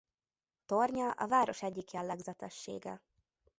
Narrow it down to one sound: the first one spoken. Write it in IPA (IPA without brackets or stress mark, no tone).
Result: t̪